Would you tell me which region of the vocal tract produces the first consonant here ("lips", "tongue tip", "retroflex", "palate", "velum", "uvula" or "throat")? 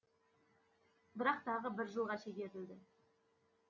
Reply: lips